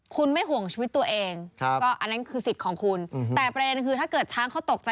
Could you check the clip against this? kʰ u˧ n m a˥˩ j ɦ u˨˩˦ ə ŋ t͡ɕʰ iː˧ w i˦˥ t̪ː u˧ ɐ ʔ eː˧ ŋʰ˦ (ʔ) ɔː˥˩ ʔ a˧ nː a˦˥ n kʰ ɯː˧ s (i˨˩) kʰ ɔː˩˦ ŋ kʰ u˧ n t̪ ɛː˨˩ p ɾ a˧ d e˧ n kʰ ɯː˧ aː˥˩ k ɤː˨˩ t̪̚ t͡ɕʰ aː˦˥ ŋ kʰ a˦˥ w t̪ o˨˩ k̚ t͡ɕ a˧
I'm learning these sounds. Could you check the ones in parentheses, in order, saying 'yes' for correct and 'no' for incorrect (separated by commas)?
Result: no, yes